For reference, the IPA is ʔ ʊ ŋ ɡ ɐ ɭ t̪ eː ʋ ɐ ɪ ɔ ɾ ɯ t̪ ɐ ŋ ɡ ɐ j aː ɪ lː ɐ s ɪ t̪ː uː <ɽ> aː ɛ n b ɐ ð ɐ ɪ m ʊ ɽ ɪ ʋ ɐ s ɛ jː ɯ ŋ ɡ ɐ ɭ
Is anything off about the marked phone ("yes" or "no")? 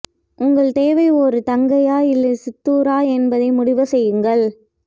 yes